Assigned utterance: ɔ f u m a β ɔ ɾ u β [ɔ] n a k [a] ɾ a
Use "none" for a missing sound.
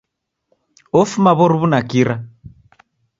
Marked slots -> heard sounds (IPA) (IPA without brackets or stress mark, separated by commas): u, i